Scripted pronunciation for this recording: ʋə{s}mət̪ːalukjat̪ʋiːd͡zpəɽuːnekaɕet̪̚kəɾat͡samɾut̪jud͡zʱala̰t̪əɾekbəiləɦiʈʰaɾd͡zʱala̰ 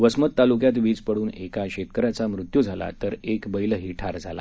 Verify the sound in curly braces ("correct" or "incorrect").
correct